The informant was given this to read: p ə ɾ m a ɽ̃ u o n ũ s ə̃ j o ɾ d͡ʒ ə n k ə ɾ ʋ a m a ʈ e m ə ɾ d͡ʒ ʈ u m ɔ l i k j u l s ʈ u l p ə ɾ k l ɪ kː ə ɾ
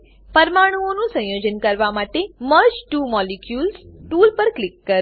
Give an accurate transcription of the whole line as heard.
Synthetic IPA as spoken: p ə ɾ m a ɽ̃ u o n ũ s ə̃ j o d͡ʒ ə n k ə ɾ ʋ a m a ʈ e m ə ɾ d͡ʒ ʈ u m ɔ l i k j u l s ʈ u l p ə ɾ k l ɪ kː ə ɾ

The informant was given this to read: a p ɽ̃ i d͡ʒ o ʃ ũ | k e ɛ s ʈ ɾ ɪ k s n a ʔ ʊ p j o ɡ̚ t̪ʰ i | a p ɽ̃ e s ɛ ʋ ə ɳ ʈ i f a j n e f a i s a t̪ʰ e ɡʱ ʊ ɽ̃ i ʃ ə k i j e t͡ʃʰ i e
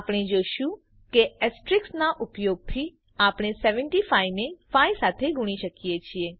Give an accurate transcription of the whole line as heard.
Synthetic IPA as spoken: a p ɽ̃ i d͡ʒ o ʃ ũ | k e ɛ s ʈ ɾ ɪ k s n a ʔ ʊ p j o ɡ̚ t̪ʰ i | a p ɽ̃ e s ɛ ʋ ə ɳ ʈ i f a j n e f a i s a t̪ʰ e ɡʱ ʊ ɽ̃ i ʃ ə k i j e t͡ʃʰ i e

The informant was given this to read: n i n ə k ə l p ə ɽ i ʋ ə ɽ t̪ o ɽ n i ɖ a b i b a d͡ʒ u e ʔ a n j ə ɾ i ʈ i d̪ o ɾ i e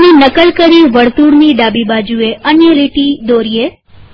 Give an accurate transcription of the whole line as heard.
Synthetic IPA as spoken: n i n ə k ə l k ə ɾ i ʋ ə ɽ t̪ u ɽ n i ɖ a b i b a d͡ʒ u e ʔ ə n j ə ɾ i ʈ i d̪ o ɾ i e

